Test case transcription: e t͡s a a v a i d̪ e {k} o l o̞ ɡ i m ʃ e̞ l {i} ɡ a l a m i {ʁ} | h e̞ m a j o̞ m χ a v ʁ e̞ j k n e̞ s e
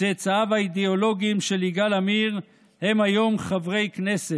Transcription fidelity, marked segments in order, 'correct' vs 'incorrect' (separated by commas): incorrect, correct, correct